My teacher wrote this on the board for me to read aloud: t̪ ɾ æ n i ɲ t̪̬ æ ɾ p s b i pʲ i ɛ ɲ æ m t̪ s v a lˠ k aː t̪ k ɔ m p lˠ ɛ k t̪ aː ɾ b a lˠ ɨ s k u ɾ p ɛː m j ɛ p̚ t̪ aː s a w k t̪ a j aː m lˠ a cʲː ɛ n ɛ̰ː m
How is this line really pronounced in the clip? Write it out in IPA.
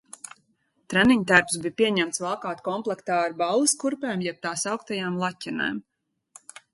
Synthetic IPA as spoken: t̪ ɾ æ n i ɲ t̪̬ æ ɾ p s b i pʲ i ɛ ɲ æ m t̪ s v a lˠ k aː t̪ k ɔ m p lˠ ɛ k t̪ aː ɾ b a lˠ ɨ s k u ɾ p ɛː m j ɛ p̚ t̪ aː s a w k t̪ a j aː m lˠ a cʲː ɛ n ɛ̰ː m

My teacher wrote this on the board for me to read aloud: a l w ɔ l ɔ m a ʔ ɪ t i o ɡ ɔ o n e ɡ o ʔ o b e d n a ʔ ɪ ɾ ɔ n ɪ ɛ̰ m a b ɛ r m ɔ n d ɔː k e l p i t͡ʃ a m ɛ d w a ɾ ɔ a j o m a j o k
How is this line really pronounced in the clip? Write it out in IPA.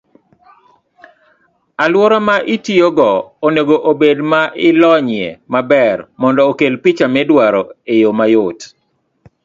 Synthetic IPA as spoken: a l w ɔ ɾ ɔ m a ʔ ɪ t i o ɡ ɔ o n e ɡ o ʔ o b e d m a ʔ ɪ l ɔ ɲ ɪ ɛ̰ m a b ɛ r m ɔ n d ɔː k e l p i t͡ʃ a m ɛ d w a ɾ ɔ e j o m a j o t

